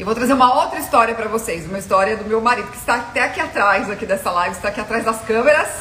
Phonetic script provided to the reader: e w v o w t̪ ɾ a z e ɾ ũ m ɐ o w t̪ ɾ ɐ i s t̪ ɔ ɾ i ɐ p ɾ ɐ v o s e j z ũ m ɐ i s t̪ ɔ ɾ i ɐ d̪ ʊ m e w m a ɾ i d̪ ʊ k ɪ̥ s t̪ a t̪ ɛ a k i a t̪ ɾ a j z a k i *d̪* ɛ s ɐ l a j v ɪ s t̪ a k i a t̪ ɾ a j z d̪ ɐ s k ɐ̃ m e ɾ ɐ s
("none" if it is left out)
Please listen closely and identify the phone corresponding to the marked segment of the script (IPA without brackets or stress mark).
d̪